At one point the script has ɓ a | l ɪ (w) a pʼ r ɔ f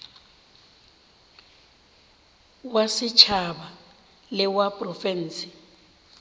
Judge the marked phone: correct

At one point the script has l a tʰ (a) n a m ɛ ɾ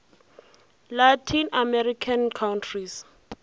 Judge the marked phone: incorrect: i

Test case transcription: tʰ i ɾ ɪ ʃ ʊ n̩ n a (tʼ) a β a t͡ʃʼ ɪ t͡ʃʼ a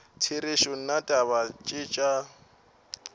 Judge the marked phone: correct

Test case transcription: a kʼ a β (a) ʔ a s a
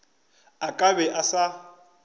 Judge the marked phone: incorrect: ɛ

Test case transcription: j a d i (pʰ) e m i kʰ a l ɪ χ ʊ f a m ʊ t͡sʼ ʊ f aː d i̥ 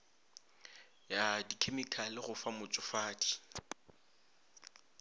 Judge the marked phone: incorrect: kʰ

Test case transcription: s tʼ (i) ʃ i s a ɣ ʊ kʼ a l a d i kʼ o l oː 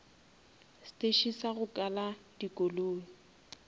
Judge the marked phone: incorrect: e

